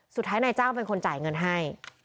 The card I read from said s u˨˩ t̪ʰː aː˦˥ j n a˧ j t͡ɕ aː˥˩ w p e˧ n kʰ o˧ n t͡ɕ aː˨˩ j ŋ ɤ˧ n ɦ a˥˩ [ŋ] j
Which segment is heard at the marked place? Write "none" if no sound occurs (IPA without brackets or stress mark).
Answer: none